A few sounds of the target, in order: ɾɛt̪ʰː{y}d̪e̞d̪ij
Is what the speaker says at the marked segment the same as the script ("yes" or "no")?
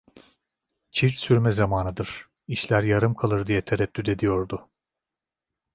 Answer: yes